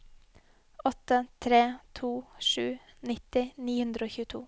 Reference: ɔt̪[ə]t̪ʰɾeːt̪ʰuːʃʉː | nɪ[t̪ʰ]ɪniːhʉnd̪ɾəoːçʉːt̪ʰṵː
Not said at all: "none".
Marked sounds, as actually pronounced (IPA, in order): ə, t̪

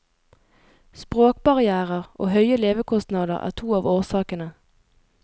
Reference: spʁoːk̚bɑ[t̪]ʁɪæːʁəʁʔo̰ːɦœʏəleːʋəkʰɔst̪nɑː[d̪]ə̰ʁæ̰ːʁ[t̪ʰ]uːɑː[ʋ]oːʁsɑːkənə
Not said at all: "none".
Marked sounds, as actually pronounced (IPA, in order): none, d̪, t̪ʰ, ʋ

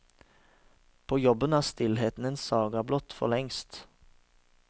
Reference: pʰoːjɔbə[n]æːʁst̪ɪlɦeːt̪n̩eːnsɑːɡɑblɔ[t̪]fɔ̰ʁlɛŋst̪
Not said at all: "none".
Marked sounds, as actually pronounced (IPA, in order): n, t̪

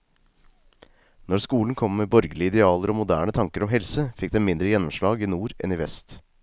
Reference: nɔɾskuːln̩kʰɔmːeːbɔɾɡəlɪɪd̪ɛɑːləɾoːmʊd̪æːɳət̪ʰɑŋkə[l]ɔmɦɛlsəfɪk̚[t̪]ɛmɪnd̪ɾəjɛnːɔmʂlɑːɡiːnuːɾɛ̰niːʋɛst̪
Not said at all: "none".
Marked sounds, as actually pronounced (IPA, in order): ɾ, d̪

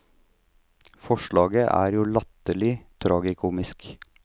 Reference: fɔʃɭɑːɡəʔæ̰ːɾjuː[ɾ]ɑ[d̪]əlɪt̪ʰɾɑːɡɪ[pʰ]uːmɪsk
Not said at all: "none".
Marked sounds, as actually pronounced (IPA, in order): l, t̪, kʰ

